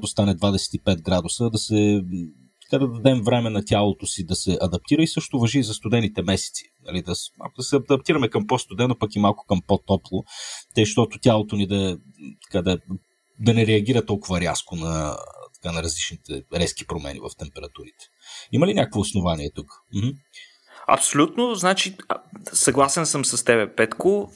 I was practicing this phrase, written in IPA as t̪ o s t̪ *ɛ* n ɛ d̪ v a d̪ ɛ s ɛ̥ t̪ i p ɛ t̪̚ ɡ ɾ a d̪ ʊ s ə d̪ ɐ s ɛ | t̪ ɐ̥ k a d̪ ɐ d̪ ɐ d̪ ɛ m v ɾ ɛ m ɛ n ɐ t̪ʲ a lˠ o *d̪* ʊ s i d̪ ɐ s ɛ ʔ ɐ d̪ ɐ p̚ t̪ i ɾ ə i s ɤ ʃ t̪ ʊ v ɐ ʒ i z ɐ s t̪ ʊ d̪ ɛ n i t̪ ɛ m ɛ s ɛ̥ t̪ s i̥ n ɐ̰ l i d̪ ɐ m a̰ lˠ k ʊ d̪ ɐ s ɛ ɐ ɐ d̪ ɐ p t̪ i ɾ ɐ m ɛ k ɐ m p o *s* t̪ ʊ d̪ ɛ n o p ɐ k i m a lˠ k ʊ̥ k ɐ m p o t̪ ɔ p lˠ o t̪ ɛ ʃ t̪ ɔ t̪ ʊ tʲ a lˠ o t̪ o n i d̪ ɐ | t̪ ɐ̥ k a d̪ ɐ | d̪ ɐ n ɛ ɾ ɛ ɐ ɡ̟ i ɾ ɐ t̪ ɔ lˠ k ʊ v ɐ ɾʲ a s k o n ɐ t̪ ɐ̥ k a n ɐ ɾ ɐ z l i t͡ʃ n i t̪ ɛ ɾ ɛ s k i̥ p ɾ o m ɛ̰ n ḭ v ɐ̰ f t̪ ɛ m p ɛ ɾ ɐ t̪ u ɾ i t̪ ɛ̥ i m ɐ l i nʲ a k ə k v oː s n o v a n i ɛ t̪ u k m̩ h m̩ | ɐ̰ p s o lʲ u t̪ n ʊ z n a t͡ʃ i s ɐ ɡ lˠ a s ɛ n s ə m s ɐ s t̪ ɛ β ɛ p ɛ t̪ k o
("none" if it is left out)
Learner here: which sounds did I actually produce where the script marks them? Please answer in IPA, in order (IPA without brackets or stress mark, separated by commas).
a, t̪, s